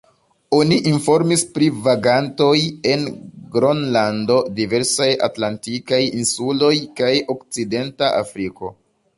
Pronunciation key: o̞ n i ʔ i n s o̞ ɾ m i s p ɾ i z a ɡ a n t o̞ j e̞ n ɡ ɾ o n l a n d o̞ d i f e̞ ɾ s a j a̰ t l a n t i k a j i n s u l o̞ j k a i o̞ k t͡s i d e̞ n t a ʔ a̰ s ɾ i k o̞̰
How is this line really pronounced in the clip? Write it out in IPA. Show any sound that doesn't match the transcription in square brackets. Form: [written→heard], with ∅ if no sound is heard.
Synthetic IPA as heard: o̞ n i ʔ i n [s→f] o̞ ɾ m i s p ɾ i [z→v] a ɡ a n t o̞ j e̞ n ɡ ɾ o n l a n d o̞ d i [f→v] e̞ ɾ s a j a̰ t l a n t i k a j i n s u l o̞ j k a [i→j] o̞ k t͡s i d e̞ n t a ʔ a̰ [s→f] ɾ i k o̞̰